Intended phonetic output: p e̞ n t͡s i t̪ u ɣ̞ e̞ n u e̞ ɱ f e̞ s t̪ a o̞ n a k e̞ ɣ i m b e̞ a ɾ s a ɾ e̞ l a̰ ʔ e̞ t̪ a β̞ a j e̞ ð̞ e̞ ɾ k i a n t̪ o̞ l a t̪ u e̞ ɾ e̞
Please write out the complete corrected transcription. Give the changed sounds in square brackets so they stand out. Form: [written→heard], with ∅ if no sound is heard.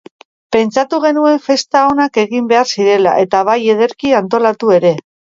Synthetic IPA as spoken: p e̞ n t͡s [i→a] t̪ u ɣ̞ e̞ n u e̞ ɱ f e̞ s t̪ a o̞ n a k e̞ ɣ i m b e̞ a ɾ s [a→i] ɾ e̞ l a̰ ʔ e̞ t̪ a β̞ a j e̞ ð̞ e̞ ɾ k i a n t̪ o̞ l a t̪ u e̞ ɾ e̞